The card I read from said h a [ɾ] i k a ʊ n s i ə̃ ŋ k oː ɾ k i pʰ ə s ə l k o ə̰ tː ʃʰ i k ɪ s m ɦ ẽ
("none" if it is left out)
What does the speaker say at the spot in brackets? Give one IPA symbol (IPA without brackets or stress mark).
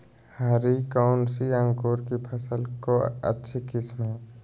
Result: ɾ